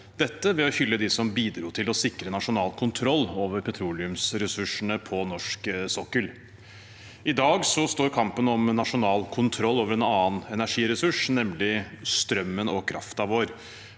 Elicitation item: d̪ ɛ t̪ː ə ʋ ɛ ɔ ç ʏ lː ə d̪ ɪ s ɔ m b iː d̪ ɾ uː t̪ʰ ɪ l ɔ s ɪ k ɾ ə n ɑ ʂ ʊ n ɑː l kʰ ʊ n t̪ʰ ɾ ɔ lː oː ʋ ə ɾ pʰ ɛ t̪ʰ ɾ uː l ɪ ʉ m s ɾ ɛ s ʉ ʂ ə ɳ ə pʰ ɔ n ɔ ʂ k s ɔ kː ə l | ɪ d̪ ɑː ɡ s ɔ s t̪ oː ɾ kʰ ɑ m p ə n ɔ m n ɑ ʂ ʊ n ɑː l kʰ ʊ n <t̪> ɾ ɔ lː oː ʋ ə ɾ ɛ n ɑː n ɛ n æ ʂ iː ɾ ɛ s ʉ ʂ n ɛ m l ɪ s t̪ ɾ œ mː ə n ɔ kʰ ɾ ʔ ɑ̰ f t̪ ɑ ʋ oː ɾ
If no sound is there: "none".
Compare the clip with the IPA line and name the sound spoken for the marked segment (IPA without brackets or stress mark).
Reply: t̪ʰ